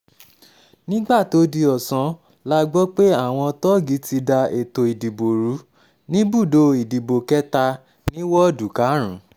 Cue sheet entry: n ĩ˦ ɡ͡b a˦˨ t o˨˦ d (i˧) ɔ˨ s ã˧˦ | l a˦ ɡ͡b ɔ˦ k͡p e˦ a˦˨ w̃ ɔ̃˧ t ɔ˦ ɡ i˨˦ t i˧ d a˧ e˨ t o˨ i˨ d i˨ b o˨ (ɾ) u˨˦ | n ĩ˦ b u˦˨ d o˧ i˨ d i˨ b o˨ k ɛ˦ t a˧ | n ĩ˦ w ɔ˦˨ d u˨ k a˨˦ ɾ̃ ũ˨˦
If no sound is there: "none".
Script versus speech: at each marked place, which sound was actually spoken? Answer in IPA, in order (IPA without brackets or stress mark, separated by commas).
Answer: i˧, ɾ